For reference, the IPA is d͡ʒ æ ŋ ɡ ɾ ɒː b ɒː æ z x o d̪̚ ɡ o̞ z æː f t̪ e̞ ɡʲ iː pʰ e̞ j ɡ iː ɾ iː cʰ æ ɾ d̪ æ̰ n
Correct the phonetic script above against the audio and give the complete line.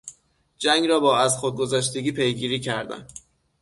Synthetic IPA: d͡ʒ æ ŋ ɡ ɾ ɒː b ɒː æ z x o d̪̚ ɡ o̞ z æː ʃ t̪ e̞ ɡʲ iː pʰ e̞ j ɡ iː ɾ iː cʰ æ ɾ d̪ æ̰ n